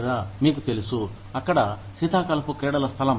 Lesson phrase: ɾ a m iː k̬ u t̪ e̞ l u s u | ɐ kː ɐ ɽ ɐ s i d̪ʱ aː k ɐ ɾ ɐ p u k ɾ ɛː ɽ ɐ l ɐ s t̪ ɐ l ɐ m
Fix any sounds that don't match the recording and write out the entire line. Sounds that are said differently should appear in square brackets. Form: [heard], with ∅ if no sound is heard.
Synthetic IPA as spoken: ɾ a m iː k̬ u t̪ e̞ l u s u | ɐ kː ɐ ɽ ɐ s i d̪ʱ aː k ɐ [l] ɐ p u k ɾ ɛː ɽ ɐ l ɐ s [t̪ʰ] ɐ l ɐ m